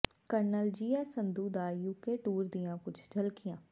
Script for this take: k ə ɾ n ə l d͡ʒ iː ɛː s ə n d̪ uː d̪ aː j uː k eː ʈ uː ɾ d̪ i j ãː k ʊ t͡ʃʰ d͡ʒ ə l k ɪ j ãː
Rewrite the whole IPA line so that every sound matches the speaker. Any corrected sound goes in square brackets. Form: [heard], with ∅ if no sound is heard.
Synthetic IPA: k ə ɾ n ə l d͡ʒ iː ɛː s ə n d̪ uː d̪ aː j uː k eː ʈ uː ɾ d̪ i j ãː k ʊ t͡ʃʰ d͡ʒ ə l k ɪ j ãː